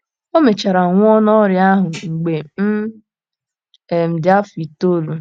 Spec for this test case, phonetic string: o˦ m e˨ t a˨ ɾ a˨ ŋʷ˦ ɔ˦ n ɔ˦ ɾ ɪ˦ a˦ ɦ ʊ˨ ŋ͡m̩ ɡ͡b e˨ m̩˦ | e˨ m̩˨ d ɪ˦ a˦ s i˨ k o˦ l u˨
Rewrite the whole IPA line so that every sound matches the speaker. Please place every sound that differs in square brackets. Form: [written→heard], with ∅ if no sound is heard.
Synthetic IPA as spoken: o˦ m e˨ [t→t͡ʃ] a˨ ɾ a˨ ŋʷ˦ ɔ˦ n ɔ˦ ɾ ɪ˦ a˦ ɦ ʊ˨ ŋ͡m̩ ɡ͡b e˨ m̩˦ | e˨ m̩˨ d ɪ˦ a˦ [s→f] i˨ [k→t] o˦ l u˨